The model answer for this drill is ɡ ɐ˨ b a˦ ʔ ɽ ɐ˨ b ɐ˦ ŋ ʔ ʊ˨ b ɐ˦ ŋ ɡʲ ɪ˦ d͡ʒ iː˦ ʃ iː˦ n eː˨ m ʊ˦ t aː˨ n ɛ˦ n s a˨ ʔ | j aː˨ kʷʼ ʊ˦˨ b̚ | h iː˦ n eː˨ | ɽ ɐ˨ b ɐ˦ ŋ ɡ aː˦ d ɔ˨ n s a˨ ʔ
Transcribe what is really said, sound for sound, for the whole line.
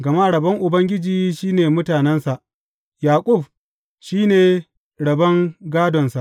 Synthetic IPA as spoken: ɡ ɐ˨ m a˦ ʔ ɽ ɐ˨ b ɐ˦ ŋ ʔ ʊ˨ b ɐ˦ ŋ ɡʲ ɪ˦ d͡ʒ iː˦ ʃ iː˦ n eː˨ m ʊ˦ t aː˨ n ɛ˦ n s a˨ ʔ | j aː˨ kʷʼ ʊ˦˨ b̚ | ʃ iː˦ n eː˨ | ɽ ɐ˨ b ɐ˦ ŋ ɡ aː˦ d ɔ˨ n s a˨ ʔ